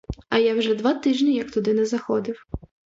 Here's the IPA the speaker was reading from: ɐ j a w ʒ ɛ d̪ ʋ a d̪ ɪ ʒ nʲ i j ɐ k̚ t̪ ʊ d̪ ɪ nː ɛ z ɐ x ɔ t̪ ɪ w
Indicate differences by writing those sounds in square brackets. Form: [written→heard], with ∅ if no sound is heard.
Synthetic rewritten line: ɐ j a w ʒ ɛ d̪ ʋ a [d̪→t̪] ɪ ʒ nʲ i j ɐ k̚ t̪ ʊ d̪ ɪ [nː→n] ɛ z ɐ x ɔ [t̪→d̪] ɪ w